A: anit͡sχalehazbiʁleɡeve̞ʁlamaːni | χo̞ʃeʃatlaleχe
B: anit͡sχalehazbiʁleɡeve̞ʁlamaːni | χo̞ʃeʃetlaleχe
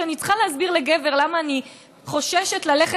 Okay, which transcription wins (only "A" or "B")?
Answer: B